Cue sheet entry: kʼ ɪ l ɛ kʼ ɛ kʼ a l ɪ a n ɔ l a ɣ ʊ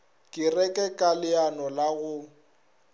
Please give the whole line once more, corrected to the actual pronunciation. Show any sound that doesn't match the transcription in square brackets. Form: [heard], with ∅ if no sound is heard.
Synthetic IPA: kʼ ɪ [r] ɛ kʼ ɛ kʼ a l ɪ a n ɔ l a ɣ ʊ

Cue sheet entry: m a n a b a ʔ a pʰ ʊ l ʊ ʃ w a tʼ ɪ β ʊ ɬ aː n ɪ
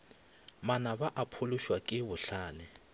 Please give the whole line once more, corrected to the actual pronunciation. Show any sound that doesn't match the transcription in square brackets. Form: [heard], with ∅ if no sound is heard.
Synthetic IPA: m a n a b a ʔ a pʰ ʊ l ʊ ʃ w a [kʼ] ɪ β ʊ ɬ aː n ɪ

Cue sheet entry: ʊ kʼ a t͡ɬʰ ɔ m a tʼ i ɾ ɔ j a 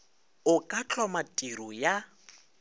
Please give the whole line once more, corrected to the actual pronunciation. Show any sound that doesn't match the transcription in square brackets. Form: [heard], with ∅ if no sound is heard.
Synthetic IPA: ʊ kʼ a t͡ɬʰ ɔ m a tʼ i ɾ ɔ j a

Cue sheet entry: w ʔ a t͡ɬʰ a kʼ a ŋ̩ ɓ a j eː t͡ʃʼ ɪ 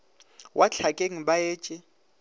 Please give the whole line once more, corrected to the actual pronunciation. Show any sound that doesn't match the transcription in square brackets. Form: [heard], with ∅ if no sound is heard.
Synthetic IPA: w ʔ a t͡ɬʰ a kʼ [e] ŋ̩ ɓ a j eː t͡ʃʼ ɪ

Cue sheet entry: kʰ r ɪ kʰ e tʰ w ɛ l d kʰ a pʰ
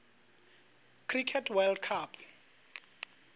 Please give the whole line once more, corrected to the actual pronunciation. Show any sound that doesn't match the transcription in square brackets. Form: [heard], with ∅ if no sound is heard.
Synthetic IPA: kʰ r [i] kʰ [ɛ] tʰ w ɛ l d kʰ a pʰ

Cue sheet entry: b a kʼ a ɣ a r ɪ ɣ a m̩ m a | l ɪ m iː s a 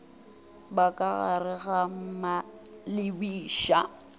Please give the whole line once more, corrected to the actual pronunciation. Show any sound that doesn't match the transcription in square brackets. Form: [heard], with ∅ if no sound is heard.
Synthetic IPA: b a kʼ a ɣ a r ɪ ɣ a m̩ m a | l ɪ [b] iː [ʃ] a

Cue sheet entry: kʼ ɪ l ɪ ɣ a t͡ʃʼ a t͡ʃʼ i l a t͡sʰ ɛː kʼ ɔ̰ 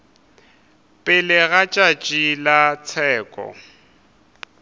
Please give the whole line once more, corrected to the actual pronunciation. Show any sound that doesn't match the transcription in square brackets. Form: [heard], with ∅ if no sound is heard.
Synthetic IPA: [pʼ] ɪ l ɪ ɣ a t͡ʃʼ a t͡ʃʼ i l a t͡sʰ ɛː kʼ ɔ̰

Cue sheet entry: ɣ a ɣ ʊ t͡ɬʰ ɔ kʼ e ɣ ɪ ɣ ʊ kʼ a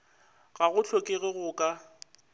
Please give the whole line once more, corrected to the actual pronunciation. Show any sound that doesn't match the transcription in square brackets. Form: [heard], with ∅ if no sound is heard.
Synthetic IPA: ɣ a ɣ ʊ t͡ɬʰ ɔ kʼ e ɣ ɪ ɣ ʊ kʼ a

